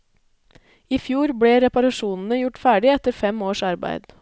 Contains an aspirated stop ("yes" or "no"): no